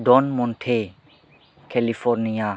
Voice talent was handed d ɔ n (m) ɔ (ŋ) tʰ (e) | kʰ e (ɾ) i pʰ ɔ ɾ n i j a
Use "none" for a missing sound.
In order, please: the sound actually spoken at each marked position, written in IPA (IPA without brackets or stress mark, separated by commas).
m, n, e, l